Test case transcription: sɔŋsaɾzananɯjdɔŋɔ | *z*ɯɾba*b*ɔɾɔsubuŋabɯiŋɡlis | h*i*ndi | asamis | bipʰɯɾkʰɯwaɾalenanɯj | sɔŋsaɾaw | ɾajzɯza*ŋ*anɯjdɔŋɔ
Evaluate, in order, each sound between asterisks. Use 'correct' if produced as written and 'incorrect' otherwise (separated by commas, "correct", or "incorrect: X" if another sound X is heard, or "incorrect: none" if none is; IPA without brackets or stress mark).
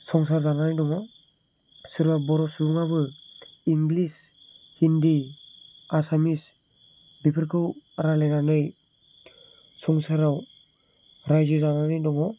incorrect: s, correct, correct, incorrect: n